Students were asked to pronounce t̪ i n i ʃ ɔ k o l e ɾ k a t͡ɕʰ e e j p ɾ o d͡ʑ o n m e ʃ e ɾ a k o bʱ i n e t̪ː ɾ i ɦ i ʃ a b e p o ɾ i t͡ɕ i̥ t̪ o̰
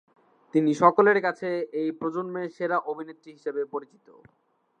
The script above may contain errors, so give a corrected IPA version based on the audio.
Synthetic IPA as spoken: t̪ i n i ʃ ɔ k o l e ɾ k a t͡ɕʰ e e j p ɾ o d͡ʑ o n m e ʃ e ɾ a ʔ o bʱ i n e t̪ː ɾ i ɦ i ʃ e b e p o ɾ i t͡ɕ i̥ t̪ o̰